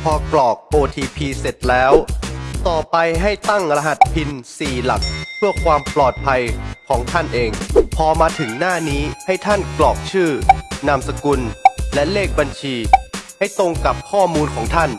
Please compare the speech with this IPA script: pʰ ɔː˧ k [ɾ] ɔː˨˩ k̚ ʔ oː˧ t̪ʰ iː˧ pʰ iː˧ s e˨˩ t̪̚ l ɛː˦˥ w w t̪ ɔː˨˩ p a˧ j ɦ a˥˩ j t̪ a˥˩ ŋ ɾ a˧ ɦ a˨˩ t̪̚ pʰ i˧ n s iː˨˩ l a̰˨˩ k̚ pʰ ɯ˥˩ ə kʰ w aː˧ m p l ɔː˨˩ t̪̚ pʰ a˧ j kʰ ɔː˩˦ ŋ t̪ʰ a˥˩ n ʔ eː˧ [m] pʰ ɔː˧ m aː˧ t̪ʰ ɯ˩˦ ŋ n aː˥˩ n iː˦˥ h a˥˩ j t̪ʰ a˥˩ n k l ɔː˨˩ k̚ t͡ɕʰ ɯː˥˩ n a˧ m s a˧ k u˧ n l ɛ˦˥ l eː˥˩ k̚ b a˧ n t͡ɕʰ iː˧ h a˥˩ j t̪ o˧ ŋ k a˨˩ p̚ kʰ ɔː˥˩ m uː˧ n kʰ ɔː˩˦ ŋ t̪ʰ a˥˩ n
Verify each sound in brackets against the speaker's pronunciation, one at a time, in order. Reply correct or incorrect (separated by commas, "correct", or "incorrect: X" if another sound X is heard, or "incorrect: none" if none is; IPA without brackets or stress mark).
incorrect: l, incorrect: ŋ